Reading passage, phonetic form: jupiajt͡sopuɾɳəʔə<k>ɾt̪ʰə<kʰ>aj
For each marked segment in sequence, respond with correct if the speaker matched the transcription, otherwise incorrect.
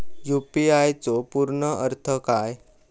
incorrect: none, incorrect: k

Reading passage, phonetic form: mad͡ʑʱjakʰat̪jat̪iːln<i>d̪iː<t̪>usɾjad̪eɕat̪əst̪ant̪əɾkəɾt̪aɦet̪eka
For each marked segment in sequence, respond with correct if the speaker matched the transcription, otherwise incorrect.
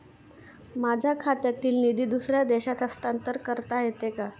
correct, incorrect: d̪

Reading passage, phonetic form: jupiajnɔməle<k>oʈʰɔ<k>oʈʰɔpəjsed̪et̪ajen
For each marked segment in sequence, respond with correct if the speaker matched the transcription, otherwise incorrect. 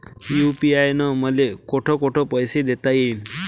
correct, correct

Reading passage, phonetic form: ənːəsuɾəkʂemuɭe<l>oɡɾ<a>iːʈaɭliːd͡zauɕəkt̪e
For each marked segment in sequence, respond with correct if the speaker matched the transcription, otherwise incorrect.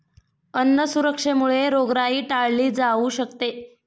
incorrect: ɾ, correct

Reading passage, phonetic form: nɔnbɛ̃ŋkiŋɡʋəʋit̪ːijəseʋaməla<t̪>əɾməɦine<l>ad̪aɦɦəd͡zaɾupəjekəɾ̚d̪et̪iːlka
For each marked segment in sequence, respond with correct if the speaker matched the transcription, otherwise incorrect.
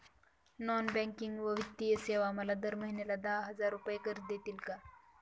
incorrect: d̪, correct

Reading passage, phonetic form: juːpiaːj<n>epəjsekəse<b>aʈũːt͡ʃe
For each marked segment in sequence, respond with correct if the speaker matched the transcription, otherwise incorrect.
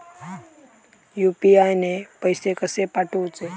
correct, incorrect: p

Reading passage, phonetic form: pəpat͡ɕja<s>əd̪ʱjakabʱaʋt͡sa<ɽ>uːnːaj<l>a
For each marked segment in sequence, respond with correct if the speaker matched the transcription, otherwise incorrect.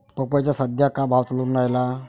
correct, incorrect: l, correct

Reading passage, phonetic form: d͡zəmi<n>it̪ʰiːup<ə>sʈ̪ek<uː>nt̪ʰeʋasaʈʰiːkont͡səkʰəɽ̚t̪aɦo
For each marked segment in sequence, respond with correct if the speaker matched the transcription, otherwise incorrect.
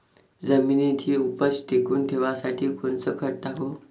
correct, correct, correct

